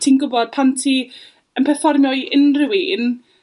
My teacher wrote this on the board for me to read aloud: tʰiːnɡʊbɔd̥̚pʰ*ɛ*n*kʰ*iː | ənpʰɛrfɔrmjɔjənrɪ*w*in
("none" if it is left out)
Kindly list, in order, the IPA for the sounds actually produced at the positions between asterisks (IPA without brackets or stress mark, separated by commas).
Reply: a, tʰ, w